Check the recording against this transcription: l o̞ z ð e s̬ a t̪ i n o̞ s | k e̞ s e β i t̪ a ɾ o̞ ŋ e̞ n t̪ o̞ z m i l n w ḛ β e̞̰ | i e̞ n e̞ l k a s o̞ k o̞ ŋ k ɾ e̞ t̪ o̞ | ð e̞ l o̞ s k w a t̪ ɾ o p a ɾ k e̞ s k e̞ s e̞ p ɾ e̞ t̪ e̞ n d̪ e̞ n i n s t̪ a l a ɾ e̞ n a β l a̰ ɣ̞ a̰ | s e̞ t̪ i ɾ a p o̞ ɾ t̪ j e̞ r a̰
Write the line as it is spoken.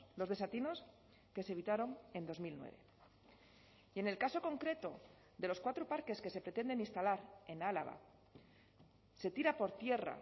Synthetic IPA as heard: l o̞ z ð e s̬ a t̪ i n o̞ s | k e̞ s e β i t̪ a ɾ o̞ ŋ e̞ n d̪ o̞ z m i l n w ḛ β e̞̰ | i e̞ n e̞ l k a s o̞ k o̞ ŋ k ɾ e̞ t̪ o̞ | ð e̞ l o̞ s k w a t̪ ɾ o p a ɾ k e̞ s k e̞ s e̞ p ɾ e̞ t̪ e̞ n d̪ e̞ n i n s t̪ a l a ɾ e̞ n a l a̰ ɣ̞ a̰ | s e̞ t̪ i ɾ a p o̞ ɾ t̪ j e̞ r a̰